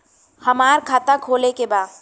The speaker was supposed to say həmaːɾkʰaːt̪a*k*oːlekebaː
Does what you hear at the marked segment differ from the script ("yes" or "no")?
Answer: yes